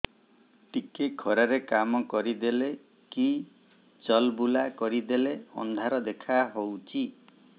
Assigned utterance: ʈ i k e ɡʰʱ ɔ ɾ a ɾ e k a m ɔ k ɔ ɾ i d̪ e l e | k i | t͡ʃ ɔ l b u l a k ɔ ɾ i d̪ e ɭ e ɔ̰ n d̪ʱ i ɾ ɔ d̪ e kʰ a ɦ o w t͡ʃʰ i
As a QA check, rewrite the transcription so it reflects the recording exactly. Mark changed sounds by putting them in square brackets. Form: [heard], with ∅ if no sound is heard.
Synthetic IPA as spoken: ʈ i k e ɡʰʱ ɔ ɾ a ɾ e k a m ɔ k ɔ ɾ i d̪ e l e | k i | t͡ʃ ɔ l b u l a k ɔ ɾ i d̪ e [l] e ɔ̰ n d̪ʱ [a] ɾ ɔ d̪ e kʰ a ɦ o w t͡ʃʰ i